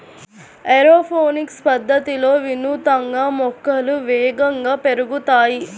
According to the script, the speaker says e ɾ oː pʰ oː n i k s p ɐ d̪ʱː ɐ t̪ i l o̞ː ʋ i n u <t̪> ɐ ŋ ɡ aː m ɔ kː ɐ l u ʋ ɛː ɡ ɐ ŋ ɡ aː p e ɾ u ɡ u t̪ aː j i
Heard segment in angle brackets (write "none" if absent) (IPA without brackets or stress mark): t̪